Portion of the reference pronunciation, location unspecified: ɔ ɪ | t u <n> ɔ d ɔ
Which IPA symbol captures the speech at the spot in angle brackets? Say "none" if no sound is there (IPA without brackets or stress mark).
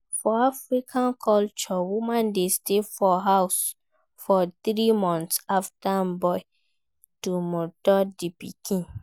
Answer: m